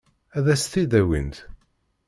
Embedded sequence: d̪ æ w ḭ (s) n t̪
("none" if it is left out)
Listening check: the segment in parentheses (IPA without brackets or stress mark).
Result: none